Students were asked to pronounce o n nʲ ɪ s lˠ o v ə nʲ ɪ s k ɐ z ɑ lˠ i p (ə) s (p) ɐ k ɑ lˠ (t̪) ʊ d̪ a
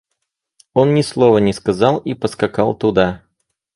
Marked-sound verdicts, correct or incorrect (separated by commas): correct, incorrect, correct